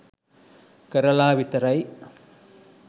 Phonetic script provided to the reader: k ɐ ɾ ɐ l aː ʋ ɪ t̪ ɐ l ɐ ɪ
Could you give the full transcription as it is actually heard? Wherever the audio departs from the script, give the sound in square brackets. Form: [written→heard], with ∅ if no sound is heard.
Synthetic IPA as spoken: k ɐ ɾ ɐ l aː ʋ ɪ t̪ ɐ [l→ɾ] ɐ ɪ